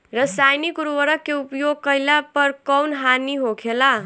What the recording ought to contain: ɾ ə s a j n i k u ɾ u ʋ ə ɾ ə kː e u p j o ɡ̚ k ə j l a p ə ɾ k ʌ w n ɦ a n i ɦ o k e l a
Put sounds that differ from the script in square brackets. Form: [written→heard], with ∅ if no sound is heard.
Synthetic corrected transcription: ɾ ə s a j n i k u ɾ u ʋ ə ɾ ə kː e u p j o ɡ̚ k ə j l a p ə ɾ k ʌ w n ɦ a n i ɦ o [k→kʰ] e l a

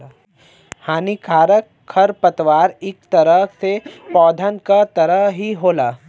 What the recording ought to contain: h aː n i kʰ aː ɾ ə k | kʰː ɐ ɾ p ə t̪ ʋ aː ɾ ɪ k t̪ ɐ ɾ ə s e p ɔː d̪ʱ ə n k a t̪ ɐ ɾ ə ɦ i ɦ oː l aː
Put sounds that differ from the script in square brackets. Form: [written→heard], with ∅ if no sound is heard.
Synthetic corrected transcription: h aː n i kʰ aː ɾ ə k | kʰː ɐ ɾ p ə t̪ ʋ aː ɾ ɪ k t̪ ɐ ɾ ə s e p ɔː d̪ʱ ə n k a t̪ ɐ ɾ ə ɦ i ɦ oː l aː

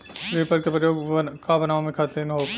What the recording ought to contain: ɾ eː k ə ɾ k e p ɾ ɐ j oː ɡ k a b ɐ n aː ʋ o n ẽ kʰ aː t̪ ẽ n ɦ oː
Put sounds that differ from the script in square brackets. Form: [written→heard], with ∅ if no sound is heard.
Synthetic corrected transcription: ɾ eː [k→p] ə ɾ k e p ɾ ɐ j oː ɡ k a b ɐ n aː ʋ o [n→m] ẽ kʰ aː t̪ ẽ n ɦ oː

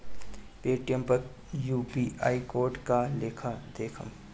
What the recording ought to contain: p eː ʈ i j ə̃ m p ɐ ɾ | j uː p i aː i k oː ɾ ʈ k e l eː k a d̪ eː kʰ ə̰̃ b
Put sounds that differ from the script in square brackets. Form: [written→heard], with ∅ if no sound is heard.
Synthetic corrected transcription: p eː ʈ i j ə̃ m p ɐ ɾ | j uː p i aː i k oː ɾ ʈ k [e→a] l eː [k→kʰ] a d̪ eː kʰ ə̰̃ [b→m]

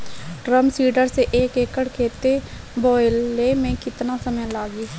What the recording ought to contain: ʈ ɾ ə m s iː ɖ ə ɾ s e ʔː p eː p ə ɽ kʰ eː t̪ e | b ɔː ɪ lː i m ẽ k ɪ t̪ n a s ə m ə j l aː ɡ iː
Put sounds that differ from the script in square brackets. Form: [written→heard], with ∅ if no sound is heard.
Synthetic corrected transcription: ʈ ɾ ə m s iː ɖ ə ɾ s e ʔː [p→k] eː [p→k] ə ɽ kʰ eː t̪ e | b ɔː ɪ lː [i→e] m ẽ k ɪ t̪ n a s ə m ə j l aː ɡ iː

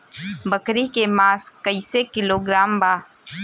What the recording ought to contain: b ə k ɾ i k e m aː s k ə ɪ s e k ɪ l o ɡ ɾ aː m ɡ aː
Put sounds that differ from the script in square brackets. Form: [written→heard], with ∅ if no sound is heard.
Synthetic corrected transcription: b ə k ɾ i k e m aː s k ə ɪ s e k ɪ l o ɡ ɾ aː m [ɡ→b] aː

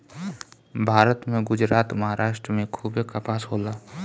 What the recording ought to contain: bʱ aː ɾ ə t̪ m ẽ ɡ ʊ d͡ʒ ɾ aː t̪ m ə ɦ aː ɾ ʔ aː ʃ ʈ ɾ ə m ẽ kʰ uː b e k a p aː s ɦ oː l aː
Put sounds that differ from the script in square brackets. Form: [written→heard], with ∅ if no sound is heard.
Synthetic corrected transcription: bʱ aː ɾ ə t̪ m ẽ ɡ ʊ d͡ʒ ɾ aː t̪ m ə ɦ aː ɾ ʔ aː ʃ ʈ ɾ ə m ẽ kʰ uː b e k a p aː s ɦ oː l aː

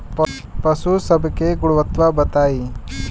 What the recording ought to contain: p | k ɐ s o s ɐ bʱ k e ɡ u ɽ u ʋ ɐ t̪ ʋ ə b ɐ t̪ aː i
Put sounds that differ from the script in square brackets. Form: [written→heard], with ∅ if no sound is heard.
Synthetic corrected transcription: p | [k→p] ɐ s [o→u] s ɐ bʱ k e ɡ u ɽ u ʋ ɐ t̪ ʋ [ə→a] b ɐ t̪ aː i

